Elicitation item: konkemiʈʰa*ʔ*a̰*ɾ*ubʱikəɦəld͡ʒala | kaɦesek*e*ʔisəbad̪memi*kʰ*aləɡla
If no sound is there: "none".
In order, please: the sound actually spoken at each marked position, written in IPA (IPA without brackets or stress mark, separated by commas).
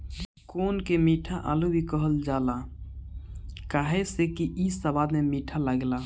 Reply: ʔ, l, i, ʈʰ